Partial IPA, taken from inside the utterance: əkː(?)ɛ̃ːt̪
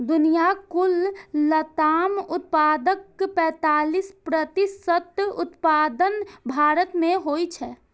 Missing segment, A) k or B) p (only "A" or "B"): B